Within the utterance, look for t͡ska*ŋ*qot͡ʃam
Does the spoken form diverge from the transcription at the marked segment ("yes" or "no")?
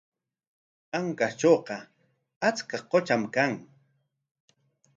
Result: yes